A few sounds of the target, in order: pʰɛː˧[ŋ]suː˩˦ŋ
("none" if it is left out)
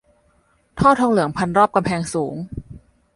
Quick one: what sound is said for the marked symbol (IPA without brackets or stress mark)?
ŋ